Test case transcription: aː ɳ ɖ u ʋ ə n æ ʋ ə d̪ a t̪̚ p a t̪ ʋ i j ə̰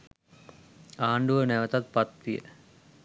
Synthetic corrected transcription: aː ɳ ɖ u ʋ ə n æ ʋ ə t̪ a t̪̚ p a t̪ ʋ i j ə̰